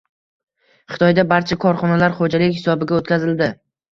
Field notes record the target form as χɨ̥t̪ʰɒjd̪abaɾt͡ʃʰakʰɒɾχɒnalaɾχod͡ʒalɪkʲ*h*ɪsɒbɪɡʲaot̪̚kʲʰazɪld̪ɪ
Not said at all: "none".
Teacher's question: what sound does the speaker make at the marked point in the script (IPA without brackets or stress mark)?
h